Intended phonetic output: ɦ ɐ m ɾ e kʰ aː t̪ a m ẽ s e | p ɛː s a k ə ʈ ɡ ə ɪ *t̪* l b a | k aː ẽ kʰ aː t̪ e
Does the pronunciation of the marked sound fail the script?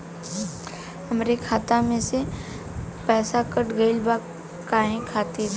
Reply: yes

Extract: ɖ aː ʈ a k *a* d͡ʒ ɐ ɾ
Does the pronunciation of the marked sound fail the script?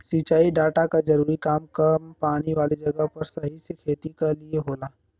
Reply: no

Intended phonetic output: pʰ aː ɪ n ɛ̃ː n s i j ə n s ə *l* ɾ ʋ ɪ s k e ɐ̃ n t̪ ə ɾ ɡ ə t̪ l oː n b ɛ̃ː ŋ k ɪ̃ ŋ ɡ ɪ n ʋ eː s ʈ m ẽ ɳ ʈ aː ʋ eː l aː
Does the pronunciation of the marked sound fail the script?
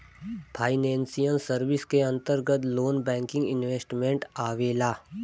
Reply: yes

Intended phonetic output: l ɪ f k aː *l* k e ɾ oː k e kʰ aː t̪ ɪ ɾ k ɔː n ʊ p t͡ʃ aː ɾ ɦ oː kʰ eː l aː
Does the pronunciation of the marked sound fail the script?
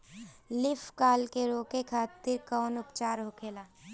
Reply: no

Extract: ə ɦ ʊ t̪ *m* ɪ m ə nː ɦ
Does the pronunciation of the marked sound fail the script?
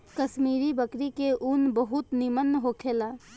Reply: yes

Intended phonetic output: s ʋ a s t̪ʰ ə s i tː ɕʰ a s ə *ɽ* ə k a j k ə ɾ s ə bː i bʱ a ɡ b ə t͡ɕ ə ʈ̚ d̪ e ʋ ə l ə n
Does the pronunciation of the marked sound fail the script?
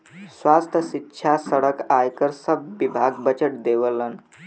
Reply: no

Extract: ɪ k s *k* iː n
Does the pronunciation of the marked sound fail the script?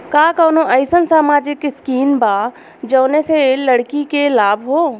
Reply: no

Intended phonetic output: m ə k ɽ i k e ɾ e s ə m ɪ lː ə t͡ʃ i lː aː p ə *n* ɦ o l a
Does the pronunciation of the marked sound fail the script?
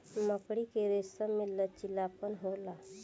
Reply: no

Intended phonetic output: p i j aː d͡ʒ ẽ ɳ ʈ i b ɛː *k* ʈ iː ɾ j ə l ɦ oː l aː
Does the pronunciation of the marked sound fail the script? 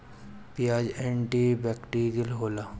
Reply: no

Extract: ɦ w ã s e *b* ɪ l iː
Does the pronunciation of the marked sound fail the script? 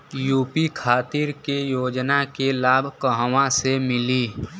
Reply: yes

